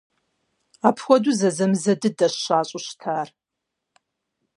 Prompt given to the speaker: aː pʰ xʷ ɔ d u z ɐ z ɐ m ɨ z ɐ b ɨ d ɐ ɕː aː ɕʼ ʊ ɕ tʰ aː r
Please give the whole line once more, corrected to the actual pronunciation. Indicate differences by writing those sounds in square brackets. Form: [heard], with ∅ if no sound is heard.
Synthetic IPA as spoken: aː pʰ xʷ ɔ d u z ɐ z ɐ m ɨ z ɐ [d] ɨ d ɐ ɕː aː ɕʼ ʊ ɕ tʰ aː r